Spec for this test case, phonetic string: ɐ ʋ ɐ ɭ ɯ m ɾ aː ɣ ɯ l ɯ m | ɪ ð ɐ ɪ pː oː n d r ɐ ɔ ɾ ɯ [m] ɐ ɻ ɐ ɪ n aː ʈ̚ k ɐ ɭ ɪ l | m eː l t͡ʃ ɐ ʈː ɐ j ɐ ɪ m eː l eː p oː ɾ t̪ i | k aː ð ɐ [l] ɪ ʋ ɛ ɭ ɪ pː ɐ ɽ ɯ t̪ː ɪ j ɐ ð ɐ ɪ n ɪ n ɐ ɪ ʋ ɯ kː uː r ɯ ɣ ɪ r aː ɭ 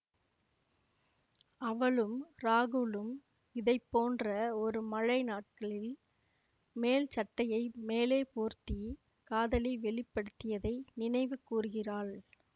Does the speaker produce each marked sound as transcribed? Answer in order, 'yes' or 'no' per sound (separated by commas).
yes, yes